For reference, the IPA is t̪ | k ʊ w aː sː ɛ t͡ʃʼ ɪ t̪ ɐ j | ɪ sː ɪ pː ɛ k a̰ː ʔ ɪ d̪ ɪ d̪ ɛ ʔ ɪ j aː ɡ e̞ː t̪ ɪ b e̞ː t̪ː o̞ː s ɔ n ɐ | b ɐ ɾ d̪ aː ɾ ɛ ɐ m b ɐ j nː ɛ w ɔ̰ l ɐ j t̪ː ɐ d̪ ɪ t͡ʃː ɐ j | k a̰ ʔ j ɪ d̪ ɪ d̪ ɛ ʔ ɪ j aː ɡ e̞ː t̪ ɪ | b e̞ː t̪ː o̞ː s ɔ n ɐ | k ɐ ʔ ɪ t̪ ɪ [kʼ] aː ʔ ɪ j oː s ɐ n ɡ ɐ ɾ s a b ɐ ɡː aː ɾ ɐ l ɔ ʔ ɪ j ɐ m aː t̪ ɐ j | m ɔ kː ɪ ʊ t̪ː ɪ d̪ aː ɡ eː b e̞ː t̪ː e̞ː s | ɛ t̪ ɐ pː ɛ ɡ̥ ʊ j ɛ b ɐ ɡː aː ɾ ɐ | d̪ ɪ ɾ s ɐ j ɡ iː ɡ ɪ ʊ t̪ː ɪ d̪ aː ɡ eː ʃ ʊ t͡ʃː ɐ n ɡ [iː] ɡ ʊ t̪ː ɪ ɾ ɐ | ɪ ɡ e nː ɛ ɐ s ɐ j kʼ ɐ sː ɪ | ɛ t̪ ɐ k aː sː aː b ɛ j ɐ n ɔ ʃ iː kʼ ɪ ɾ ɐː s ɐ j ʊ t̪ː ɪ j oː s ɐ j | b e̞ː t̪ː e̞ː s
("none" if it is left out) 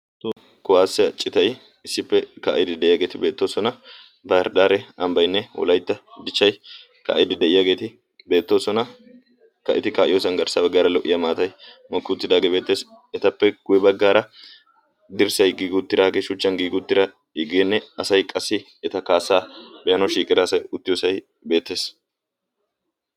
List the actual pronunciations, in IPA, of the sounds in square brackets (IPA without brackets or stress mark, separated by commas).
k, iː